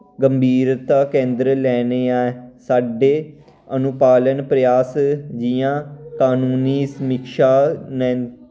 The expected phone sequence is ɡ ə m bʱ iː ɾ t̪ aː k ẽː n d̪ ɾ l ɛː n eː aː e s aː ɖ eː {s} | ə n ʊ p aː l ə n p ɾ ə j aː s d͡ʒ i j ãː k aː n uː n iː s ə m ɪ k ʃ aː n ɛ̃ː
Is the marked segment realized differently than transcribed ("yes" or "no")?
yes